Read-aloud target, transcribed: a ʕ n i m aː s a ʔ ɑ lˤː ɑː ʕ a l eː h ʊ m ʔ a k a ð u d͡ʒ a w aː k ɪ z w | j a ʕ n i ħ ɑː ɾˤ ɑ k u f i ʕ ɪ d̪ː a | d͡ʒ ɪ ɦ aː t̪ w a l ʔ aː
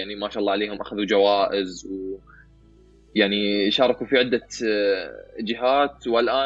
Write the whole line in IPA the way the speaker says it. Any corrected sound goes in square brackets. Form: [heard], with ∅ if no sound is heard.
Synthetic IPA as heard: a ʕ n i m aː [ʃ] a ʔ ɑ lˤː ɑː ʕ a l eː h ʊ m ʔ a [x] a ð u d͡ʒ a w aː [ʔ] ɪ z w | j a ʕ n i [ʃ] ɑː ɾˤ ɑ k u f i ʕ ɪ d̪ː a | d͡ʒ ɪ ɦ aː t̪ w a l ʔ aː